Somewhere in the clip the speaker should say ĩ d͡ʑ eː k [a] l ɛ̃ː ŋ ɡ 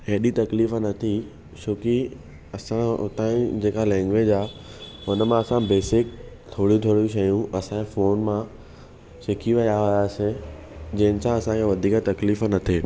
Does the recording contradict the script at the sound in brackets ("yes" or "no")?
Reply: no